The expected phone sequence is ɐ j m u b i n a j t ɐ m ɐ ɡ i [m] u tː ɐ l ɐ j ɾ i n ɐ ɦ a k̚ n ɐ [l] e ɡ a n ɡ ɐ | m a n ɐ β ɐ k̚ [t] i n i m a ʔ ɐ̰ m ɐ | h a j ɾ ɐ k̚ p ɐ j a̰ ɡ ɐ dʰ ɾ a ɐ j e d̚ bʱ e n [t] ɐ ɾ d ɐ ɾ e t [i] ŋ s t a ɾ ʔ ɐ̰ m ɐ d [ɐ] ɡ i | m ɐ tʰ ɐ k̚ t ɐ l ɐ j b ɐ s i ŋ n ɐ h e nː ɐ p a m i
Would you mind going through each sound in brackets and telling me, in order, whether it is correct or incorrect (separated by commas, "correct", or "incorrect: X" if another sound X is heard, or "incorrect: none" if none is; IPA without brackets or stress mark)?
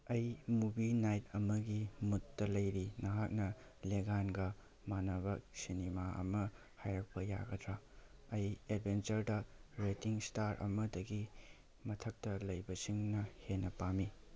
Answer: correct, correct, incorrect: s, incorrect: t͡ʃ, correct, correct